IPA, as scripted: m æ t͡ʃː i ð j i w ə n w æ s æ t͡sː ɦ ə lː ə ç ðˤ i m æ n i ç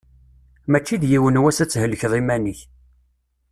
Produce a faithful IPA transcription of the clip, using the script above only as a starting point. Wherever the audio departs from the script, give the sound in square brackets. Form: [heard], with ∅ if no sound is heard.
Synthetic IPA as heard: m æ t͡ʃː i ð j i w ə n w æ s æ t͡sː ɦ ə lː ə ç ðˤ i m æ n i ç